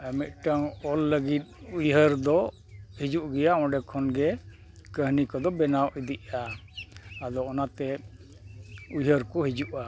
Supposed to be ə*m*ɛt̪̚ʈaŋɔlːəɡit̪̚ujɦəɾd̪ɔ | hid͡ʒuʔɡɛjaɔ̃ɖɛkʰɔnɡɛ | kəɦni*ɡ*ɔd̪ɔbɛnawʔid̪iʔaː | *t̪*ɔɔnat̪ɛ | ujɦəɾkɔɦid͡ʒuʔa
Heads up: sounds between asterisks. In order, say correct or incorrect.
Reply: correct, incorrect, incorrect

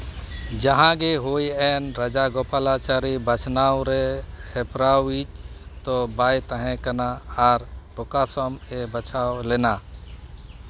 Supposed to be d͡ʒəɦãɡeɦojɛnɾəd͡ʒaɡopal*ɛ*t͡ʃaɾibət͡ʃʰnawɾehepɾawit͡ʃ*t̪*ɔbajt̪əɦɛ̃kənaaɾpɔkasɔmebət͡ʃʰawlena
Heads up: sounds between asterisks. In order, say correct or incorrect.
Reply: incorrect, correct

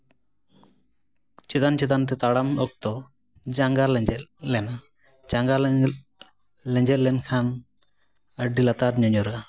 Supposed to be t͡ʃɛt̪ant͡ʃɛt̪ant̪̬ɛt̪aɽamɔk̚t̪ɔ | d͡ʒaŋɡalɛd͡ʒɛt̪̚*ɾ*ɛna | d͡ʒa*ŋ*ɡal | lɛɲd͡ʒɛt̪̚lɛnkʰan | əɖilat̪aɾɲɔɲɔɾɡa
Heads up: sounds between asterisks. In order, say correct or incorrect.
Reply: incorrect, correct

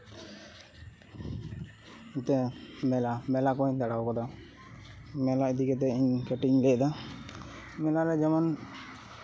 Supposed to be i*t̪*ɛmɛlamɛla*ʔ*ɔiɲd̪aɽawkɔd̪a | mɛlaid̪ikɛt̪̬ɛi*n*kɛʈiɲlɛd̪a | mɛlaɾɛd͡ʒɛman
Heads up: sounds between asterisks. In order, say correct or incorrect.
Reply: correct, incorrect, incorrect

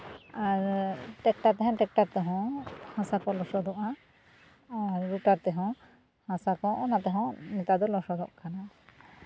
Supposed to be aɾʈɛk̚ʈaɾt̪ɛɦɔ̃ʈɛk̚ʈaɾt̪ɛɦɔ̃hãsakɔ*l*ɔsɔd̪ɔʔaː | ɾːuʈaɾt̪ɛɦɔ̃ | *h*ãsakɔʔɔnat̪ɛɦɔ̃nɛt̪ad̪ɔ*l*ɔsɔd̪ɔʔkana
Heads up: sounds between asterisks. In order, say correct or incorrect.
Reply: correct, correct, correct

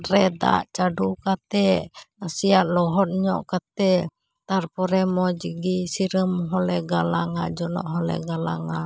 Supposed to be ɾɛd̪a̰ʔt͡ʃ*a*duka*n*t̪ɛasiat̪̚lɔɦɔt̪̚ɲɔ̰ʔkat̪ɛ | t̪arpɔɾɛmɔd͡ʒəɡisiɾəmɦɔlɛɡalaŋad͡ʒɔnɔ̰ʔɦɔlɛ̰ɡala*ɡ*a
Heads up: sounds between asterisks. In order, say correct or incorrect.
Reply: correct, incorrect, incorrect

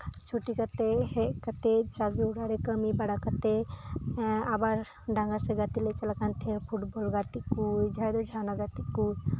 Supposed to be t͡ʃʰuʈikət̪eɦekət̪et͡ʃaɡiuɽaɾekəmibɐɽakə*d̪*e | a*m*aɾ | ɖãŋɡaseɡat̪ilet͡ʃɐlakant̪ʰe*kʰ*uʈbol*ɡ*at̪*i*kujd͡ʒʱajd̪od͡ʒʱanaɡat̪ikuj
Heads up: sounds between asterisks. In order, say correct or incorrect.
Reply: incorrect, incorrect, incorrect, correct, correct

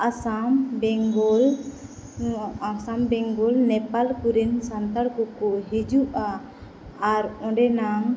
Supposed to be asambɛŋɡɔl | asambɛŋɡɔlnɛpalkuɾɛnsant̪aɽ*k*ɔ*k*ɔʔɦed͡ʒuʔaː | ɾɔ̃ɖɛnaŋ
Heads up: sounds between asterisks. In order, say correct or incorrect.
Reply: correct, correct

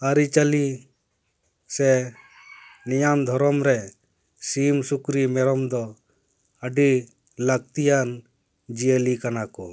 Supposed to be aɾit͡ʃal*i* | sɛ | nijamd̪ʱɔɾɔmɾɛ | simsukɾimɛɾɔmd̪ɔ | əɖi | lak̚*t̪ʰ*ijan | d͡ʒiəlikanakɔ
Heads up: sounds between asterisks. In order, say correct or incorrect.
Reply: correct, incorrect

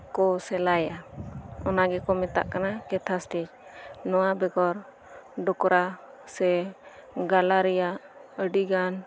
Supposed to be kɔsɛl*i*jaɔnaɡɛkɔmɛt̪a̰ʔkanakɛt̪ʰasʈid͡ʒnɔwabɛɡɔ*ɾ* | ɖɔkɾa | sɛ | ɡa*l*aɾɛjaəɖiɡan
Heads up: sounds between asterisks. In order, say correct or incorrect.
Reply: incorrect, correct, correct

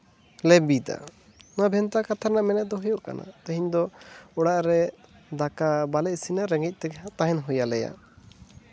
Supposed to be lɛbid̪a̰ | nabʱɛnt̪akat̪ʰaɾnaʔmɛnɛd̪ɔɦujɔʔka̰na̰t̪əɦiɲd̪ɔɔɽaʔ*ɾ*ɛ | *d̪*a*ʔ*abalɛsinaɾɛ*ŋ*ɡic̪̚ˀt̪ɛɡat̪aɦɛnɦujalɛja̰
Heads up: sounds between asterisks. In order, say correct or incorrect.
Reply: correct, correct, incorrect, correct

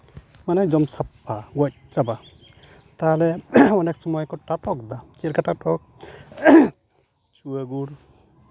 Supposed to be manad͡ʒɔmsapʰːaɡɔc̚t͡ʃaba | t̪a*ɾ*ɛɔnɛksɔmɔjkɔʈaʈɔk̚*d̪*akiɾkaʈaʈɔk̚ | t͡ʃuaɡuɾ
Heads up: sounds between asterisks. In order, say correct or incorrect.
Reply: incorrect, correct

